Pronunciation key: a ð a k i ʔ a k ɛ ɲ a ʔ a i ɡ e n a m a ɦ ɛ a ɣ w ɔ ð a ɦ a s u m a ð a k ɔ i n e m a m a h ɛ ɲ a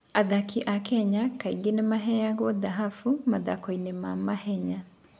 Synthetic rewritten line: a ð a k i ʔ a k ɛ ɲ a k a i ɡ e n e m a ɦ ɛ a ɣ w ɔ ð a ɦ a f u m a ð a k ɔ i n e m a m a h ɛ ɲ a